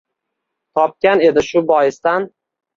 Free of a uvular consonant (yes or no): yes